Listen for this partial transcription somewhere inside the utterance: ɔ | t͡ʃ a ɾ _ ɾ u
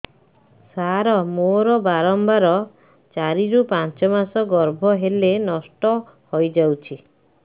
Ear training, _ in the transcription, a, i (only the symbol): i